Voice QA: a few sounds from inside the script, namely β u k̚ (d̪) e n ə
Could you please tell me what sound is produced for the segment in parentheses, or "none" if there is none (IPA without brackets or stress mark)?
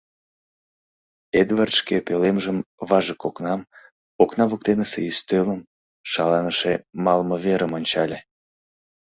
t̪